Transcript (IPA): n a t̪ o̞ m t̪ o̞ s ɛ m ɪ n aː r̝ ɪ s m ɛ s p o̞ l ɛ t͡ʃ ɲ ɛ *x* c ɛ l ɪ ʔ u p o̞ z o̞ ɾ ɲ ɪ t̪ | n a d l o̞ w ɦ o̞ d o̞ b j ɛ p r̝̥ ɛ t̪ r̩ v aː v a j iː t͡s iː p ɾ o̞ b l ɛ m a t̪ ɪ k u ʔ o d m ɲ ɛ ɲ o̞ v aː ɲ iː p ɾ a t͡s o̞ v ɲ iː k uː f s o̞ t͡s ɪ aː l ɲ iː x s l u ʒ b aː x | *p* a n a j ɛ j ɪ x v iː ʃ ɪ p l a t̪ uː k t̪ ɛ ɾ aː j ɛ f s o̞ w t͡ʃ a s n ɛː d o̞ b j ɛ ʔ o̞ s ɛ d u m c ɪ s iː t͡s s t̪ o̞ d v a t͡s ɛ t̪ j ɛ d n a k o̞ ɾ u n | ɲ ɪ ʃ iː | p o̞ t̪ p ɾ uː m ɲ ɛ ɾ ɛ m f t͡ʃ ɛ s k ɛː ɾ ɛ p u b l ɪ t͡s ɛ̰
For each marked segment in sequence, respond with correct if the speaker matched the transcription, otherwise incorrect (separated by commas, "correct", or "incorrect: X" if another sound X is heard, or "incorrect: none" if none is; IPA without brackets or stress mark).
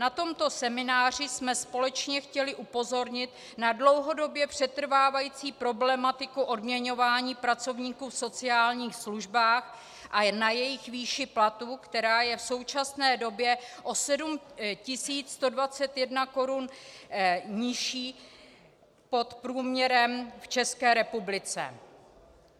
correct, incorrect: ʔ